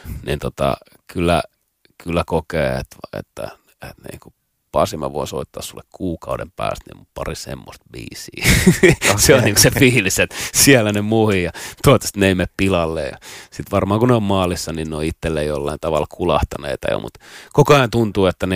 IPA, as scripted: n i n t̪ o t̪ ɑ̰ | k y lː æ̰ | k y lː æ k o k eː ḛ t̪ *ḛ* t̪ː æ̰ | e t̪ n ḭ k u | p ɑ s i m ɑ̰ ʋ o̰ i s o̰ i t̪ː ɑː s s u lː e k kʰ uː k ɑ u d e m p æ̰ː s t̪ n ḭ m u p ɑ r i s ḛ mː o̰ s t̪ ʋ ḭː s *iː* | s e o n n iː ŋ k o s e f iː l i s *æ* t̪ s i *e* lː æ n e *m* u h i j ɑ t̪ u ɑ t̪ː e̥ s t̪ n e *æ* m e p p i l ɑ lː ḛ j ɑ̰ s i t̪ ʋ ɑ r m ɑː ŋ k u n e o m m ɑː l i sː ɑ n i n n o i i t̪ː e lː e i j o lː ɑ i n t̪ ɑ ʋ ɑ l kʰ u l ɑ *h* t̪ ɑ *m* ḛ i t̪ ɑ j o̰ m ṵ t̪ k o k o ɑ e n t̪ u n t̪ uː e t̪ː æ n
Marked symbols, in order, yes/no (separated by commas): yes, yes, no, no, yes, no, yes, no